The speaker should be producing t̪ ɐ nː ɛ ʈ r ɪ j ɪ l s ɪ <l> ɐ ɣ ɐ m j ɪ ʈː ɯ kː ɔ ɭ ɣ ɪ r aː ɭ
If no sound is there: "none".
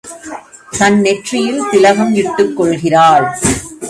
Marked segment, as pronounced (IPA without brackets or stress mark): l